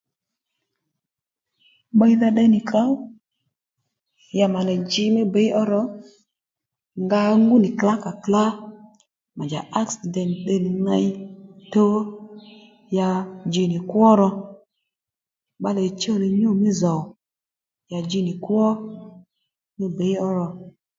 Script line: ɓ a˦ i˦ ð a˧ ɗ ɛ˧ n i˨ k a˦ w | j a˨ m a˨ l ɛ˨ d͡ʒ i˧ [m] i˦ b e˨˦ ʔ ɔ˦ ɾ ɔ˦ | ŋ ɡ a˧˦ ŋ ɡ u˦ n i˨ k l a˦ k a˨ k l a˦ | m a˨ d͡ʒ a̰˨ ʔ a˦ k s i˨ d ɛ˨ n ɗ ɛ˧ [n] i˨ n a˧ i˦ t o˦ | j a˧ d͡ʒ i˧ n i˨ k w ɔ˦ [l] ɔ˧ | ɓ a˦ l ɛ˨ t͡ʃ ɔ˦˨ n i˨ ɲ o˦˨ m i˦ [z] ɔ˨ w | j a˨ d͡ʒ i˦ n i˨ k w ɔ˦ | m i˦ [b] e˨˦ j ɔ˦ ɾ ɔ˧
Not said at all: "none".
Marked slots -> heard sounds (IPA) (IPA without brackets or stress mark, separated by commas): m, n, ɾ, z, b